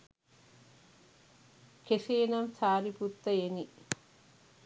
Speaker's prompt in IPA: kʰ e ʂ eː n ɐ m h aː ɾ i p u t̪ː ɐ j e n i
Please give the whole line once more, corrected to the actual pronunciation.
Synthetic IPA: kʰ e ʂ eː n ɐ m s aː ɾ i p u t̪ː ɐ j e n i